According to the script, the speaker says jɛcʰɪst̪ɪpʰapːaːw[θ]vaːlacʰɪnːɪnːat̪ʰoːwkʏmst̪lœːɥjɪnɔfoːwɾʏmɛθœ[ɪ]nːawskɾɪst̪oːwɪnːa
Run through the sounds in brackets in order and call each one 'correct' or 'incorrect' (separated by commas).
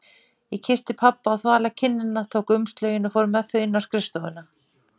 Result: correct, correct